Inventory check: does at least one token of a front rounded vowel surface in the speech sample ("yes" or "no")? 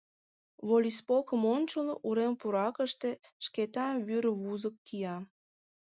yes